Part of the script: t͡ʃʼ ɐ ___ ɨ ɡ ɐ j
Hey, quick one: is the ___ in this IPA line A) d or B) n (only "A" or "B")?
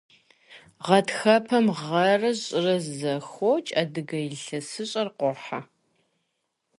A